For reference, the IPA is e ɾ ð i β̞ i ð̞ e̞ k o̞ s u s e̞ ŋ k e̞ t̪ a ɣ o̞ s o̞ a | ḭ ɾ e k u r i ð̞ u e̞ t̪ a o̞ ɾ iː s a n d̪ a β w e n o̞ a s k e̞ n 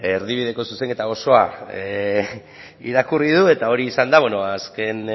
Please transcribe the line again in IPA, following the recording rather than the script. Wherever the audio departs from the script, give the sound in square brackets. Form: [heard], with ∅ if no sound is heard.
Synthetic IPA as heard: e ɾ ð i β̞ i ð̞ e̞ k o̞ s u s e̞ ŋ k e̞ t̪ a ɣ o̞ s o̞ a | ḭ ɾ [a] k u r i ð̞ u e̞ t̪ a o̞ ɾ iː s a n d̪ a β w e n o̞ a s k e̞ n